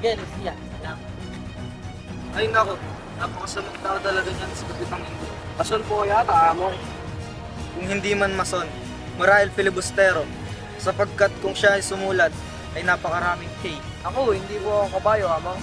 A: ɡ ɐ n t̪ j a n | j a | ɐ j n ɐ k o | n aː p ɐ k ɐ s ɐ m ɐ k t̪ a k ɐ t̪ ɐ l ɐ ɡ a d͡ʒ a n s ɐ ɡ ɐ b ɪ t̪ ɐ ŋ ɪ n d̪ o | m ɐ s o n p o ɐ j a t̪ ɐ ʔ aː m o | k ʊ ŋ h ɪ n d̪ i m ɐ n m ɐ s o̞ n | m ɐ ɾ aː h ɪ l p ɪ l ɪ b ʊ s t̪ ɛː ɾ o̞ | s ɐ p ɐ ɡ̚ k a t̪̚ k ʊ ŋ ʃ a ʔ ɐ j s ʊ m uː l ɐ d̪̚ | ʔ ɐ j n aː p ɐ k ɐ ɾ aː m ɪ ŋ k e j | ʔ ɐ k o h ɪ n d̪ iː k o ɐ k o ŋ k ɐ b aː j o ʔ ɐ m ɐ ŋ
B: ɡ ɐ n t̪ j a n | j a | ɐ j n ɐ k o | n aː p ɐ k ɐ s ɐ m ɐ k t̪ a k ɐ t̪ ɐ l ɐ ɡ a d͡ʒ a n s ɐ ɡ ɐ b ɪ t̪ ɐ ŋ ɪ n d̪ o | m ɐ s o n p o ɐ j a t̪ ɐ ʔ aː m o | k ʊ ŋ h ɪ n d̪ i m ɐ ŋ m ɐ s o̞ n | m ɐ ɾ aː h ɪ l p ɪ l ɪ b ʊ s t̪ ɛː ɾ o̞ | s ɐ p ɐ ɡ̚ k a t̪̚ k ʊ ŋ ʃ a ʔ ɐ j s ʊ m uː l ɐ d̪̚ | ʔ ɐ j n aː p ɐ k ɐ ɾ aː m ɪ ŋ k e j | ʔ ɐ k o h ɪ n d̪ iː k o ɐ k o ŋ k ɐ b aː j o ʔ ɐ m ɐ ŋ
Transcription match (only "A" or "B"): A